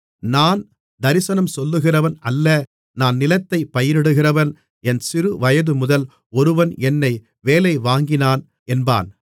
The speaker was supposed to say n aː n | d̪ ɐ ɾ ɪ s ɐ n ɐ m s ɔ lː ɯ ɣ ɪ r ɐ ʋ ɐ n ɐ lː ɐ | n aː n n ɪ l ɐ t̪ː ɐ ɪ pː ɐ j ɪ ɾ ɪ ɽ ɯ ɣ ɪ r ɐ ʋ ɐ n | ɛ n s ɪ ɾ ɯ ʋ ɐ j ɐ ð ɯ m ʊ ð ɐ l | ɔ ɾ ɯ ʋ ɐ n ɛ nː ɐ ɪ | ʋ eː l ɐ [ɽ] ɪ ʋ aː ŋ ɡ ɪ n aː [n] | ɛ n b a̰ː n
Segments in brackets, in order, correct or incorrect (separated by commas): incorrect, correct